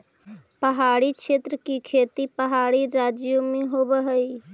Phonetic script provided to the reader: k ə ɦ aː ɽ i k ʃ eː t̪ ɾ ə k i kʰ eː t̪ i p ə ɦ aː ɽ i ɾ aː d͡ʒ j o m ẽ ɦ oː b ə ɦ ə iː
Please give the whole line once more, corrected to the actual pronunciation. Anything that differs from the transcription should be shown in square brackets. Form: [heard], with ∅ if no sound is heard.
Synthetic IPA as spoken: [p] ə ɦ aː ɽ i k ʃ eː t̪ ɾ ə k i kʰ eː t̪ i p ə ɦ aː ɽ i ɾ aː d͡ʒ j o m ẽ ɦ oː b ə ɦ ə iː